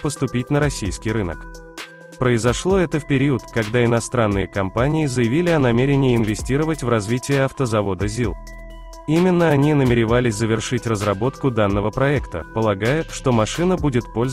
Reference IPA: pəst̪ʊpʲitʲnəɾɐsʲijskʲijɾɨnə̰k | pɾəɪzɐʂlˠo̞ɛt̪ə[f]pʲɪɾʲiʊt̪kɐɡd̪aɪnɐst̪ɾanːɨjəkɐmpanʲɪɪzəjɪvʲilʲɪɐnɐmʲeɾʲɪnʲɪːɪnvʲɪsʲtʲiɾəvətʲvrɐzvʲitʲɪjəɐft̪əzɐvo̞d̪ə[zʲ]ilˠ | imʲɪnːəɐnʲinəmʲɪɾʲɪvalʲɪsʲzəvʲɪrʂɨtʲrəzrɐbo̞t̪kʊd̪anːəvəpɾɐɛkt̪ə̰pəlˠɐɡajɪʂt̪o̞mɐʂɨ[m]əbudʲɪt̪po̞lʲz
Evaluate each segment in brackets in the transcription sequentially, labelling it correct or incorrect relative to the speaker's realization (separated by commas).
correct, correct, incorrect